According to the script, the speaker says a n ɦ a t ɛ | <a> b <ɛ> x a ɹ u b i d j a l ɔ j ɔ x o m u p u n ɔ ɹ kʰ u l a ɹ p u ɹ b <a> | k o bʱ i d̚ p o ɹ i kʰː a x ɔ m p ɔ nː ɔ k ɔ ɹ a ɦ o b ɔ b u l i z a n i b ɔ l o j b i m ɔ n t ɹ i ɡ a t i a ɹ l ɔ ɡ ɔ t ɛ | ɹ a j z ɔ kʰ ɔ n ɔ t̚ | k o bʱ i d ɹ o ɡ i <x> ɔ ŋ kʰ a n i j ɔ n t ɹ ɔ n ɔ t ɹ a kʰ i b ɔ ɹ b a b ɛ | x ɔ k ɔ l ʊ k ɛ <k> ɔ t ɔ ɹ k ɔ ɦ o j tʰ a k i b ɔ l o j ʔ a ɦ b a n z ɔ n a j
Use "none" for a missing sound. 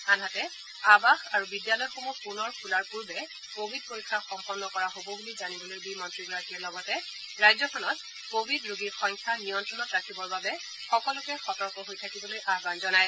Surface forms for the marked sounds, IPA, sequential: a, a, ɛ, x, x

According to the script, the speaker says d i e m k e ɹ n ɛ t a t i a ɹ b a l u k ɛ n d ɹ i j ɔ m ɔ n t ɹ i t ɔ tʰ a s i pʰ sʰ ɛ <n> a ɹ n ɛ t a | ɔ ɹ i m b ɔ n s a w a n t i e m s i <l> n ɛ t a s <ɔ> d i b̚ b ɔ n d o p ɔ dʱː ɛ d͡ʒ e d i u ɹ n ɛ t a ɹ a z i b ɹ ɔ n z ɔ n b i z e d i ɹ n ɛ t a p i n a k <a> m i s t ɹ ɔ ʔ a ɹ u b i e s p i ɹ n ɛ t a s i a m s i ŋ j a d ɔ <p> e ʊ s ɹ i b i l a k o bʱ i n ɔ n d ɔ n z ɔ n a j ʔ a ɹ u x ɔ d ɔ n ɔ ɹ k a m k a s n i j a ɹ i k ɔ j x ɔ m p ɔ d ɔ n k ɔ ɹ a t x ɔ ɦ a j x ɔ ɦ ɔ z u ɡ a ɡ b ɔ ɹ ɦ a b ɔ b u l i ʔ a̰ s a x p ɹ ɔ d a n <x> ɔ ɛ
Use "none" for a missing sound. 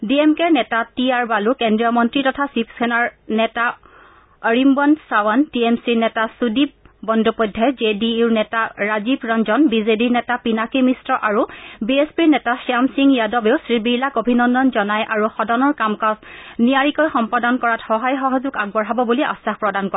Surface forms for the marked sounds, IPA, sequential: n, ɹ, u, i, b, k

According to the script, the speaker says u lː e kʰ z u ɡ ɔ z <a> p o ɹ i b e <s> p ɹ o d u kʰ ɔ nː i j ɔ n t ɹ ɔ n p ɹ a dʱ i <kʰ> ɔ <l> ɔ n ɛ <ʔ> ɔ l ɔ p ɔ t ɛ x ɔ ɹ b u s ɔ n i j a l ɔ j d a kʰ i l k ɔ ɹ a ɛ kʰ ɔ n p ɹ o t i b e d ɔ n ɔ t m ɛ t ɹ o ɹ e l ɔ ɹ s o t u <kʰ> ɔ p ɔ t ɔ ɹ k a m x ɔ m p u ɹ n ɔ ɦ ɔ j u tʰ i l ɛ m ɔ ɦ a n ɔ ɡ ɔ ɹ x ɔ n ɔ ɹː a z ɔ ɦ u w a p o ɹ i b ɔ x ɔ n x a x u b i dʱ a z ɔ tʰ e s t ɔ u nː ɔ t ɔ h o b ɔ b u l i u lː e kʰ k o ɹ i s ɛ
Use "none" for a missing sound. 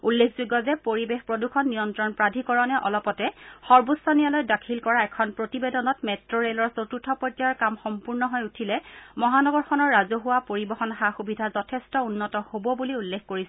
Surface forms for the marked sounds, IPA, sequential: ɛ, x, k, ɹ, ʔ, tʰ

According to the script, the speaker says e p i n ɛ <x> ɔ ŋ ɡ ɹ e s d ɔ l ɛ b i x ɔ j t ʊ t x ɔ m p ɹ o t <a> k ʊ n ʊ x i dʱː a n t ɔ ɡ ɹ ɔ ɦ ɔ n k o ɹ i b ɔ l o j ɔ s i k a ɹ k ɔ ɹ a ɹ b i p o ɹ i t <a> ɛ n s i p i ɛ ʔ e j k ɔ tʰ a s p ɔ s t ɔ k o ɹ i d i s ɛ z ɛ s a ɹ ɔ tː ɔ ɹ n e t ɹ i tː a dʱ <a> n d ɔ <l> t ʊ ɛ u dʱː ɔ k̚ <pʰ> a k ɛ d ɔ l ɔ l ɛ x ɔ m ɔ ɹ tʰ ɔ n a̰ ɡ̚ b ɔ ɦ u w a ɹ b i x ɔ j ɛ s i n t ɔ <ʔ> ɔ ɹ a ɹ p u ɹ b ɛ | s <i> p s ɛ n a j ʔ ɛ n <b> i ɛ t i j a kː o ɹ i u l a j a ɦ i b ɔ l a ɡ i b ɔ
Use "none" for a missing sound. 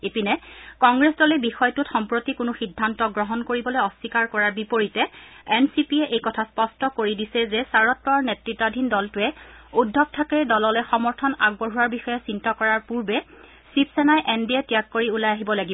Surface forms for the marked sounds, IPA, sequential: k, i, ɛ, i, l, tʰ, k, i, d

